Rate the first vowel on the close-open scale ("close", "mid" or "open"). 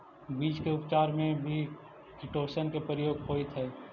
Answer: close